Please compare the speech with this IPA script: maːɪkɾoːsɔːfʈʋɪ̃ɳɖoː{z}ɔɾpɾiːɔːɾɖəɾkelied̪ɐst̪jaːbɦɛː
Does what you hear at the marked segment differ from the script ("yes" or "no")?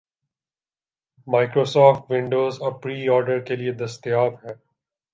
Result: no